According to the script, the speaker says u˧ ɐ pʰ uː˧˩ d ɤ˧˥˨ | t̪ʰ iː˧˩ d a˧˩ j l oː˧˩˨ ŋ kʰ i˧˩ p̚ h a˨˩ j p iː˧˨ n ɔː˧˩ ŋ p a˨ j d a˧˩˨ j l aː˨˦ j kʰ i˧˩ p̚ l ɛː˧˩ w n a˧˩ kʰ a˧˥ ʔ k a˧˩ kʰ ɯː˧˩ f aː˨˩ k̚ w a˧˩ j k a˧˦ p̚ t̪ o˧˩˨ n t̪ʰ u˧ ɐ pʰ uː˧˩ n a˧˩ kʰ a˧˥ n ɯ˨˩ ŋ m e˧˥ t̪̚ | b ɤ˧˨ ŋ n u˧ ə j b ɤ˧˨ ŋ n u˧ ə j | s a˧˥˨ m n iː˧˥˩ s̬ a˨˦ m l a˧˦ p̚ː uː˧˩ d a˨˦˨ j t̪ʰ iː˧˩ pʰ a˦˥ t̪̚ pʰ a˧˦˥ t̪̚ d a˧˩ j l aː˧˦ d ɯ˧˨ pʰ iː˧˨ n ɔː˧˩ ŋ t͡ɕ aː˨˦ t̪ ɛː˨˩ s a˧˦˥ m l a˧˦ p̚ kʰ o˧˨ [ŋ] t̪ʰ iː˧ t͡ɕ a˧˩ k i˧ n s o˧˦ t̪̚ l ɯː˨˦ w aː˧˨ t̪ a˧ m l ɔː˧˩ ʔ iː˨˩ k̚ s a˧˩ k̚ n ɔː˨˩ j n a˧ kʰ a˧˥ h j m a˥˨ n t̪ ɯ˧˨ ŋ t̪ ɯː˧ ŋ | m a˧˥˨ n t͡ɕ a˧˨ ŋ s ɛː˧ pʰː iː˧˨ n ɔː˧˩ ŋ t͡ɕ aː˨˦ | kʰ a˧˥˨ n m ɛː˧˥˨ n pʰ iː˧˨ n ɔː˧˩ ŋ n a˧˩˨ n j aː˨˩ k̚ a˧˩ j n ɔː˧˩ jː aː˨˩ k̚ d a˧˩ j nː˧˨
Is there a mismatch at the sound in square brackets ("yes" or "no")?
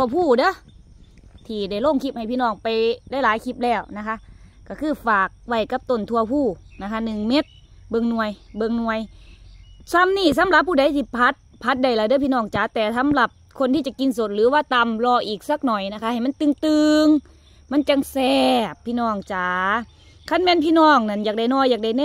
yes